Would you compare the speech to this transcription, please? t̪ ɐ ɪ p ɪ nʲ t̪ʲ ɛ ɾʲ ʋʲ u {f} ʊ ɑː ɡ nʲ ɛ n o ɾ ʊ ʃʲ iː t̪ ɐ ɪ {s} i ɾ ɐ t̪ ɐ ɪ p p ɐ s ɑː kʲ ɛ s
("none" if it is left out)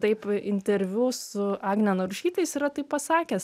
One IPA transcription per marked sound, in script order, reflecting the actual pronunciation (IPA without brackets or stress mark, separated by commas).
s, s